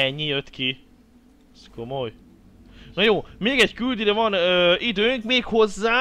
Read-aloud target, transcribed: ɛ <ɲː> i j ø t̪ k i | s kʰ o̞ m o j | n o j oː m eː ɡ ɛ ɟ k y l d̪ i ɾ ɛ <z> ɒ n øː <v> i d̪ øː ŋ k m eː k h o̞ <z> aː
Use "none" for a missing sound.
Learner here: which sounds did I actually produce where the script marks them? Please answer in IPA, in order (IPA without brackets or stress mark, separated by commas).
ɲː, v, none, zː